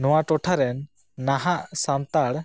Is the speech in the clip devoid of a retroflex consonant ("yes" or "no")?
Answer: no